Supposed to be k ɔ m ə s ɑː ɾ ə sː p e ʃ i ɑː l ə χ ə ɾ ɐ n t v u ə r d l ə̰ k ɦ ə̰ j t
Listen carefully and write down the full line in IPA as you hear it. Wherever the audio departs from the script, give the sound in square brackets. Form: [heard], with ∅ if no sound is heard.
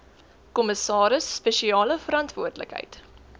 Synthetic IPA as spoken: k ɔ m ə s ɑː ɾ ə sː p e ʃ i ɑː l ə [f] ə ɾ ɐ n t v u ə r d l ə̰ k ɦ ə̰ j t